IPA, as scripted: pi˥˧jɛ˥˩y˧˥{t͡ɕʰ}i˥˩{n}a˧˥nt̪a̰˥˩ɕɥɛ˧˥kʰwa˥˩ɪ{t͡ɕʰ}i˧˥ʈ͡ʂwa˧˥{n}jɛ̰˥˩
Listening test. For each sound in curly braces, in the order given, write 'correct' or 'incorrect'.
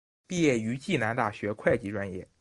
incorrect: t͡ɕ, correct, incorrect: t͡ɕ, correct

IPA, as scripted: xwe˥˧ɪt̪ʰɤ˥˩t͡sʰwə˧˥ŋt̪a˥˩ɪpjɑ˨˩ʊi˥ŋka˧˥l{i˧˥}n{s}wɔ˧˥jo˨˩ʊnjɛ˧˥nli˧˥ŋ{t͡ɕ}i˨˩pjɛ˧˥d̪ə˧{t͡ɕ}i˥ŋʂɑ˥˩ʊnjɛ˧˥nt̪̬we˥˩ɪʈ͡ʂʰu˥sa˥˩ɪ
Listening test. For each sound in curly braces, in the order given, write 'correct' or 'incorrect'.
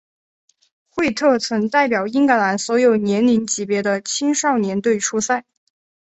incorrect: a˧˥, correct, correct, incorrect: t͡ɕʰ

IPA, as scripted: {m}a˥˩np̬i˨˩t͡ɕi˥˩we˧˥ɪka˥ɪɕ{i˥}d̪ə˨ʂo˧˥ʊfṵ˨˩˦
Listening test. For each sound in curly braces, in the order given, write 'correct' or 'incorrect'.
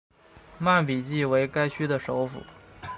correct, incorrect: y˥

